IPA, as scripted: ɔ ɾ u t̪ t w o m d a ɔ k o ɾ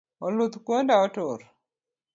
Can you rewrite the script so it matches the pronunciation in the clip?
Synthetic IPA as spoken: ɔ l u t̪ k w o n d a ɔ t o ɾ